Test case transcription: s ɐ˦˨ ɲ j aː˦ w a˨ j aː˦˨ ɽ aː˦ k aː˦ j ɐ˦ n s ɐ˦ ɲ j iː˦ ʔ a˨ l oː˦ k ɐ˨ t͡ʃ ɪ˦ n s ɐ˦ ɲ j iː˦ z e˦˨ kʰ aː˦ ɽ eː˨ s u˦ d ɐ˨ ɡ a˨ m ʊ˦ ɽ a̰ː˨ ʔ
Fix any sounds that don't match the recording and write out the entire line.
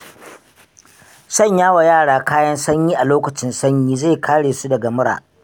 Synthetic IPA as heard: s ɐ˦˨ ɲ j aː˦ w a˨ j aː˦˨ ɽ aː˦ k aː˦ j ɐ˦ n s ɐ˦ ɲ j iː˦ ʔ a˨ l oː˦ k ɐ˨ t͡ʃ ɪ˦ n s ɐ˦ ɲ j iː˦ z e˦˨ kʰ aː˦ ɽ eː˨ s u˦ d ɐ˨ ɡ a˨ m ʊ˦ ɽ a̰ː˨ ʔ